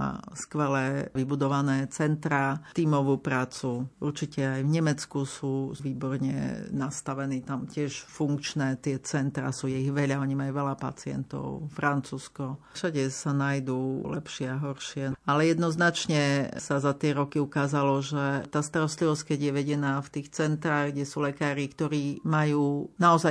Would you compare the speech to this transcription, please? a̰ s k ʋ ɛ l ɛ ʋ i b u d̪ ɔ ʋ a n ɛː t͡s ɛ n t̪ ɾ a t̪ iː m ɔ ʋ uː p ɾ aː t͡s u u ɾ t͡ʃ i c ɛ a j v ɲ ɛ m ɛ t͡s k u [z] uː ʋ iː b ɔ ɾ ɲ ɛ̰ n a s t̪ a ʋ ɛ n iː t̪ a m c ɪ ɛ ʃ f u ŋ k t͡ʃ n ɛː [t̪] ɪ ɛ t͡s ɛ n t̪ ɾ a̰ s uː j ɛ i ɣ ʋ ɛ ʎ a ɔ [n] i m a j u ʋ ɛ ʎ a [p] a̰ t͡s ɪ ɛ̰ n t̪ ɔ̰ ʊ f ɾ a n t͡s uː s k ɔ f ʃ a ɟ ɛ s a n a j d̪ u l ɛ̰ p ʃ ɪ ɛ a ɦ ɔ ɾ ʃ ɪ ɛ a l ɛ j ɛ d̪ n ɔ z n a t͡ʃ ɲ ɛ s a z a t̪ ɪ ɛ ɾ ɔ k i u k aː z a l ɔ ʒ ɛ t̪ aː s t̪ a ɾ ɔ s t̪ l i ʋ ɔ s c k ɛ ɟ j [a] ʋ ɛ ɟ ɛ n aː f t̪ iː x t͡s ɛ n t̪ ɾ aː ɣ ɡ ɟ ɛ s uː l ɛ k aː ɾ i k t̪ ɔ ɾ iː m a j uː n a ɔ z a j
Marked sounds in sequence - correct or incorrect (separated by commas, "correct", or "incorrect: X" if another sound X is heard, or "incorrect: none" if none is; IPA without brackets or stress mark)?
incorrect: s, correct, incorrect: ɲ, correct, incorrect: ɛ